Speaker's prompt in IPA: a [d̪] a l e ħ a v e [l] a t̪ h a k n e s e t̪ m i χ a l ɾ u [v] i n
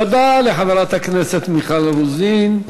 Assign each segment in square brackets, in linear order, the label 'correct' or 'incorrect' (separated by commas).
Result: correct, incorrect, incorrect